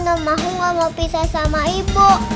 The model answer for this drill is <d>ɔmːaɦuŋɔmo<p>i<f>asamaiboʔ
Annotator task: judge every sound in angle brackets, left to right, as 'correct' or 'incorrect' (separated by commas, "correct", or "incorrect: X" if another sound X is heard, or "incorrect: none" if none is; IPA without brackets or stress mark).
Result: incorrect: n, correct, incorrect: s